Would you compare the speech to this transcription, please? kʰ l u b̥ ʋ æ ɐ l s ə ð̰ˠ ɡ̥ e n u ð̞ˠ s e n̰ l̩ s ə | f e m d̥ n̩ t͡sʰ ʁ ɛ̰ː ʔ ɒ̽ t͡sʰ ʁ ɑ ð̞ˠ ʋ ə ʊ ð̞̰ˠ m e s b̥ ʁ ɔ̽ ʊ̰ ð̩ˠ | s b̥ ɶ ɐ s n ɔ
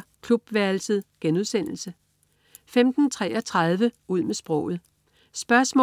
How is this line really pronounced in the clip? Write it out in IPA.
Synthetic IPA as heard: kʰ l u b̥ ʋ æ ɐ l s ə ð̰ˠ ɡ̥ e n u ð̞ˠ s e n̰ l̩ s ə | f e m d̥ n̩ t͡sʰ ʁ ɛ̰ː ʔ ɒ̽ t͡sʰ ʁ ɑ ð̞ˠ ʋ ə u ð̞̰ˠ m e s b̥ ʁ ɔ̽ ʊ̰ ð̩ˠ | s b̥ ɶ ɐ s m ɔ